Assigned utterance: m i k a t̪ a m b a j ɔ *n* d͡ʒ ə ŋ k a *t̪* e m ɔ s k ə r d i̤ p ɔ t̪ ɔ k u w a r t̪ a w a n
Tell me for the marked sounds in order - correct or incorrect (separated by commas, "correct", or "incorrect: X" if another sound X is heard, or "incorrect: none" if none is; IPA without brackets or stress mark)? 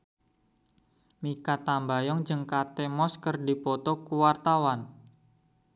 incorrect: ŋ, correct